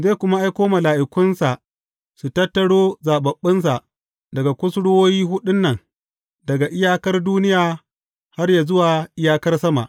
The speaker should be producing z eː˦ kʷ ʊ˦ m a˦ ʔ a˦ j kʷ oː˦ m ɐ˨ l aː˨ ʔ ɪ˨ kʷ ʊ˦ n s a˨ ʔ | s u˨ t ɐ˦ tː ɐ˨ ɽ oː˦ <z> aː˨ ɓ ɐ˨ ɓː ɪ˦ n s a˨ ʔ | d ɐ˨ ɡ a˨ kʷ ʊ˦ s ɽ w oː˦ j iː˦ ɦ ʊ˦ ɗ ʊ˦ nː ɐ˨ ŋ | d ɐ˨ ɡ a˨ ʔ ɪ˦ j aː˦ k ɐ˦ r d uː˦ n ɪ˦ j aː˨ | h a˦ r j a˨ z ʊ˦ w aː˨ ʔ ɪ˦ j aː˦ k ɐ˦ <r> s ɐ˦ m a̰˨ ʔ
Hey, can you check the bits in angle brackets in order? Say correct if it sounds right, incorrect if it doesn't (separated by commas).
correct, correct